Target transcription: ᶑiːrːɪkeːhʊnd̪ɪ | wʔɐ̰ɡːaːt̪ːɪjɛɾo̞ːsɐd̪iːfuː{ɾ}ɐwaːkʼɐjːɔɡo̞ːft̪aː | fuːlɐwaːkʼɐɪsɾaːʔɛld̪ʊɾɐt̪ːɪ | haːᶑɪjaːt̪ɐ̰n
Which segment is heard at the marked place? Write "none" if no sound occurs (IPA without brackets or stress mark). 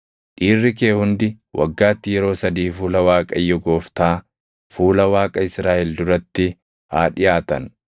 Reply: l